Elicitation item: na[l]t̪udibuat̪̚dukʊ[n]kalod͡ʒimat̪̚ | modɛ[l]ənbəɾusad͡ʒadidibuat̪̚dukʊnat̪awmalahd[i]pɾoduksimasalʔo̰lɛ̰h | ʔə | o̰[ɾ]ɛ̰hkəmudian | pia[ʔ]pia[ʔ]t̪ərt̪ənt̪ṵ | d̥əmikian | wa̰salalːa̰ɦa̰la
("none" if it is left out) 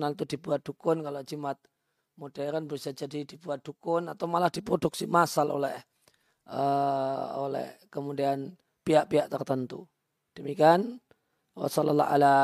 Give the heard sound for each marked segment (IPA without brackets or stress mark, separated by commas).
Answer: l, n, ɾ, i, l, ʔ, ʔ